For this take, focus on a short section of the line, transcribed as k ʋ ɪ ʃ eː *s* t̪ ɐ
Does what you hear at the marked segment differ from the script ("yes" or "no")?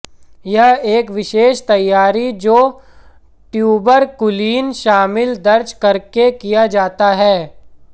yes